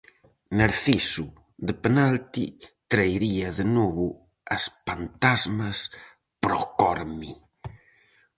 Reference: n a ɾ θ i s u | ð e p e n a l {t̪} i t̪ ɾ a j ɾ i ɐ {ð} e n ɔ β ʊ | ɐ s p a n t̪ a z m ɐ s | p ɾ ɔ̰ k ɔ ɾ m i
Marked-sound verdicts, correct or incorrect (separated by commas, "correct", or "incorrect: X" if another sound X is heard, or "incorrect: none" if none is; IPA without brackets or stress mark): correct, correct